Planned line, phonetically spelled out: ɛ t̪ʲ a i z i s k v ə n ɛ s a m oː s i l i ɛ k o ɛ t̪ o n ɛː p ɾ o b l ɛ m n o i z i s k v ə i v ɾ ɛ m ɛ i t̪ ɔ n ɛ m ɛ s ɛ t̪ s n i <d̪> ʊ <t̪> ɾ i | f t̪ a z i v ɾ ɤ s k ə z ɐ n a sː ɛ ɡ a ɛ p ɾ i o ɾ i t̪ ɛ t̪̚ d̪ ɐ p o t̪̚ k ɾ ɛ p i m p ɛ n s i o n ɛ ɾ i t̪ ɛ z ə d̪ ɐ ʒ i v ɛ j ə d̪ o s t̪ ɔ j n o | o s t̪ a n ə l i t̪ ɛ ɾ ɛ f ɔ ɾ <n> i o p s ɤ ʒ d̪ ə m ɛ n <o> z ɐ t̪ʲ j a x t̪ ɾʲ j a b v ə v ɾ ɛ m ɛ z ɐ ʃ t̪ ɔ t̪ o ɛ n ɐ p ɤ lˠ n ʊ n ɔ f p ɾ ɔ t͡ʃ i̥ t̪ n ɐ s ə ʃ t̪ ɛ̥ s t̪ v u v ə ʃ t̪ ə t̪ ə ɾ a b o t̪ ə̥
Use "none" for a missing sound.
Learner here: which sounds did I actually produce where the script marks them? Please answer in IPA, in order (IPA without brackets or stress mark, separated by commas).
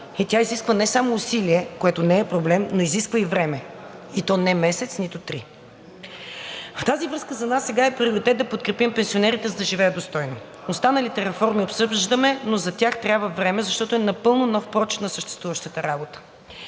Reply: t̪, t̪, m, o